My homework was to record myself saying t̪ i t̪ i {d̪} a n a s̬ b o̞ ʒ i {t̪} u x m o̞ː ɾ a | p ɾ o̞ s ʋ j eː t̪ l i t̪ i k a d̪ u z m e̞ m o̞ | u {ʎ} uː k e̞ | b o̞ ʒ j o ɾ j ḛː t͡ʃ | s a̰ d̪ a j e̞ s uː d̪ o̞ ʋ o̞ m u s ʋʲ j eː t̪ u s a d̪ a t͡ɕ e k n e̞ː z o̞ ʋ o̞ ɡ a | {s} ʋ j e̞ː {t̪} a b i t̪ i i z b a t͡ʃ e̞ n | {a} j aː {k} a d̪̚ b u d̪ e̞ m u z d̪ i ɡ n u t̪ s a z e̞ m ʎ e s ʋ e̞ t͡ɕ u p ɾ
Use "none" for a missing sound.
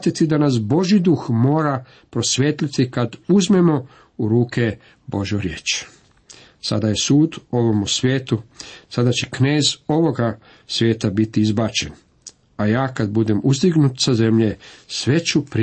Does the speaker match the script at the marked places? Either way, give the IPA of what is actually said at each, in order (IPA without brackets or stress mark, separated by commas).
d̪, d̪, ɾ, s, t̪, a, k